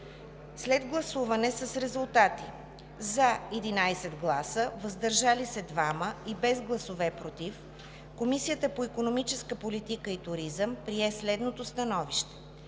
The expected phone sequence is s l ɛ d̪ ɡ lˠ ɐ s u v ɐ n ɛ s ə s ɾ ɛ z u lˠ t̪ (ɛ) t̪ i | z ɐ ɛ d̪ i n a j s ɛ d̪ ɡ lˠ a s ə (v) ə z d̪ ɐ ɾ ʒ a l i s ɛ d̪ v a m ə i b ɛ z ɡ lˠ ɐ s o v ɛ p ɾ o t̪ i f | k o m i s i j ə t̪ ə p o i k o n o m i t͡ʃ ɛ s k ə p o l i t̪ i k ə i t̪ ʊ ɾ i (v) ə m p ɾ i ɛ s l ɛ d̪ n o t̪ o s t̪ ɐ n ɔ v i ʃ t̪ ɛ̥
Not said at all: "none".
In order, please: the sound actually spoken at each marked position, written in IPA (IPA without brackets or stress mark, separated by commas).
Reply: a, v, z